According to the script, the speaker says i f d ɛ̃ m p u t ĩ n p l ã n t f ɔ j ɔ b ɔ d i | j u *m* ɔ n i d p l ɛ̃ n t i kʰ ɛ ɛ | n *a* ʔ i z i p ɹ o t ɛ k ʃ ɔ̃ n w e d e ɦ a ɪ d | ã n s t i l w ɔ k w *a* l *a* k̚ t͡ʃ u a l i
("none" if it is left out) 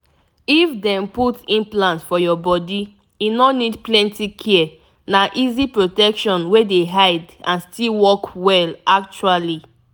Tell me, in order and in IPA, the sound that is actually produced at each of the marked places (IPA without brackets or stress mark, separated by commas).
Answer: n, a, ɛ, a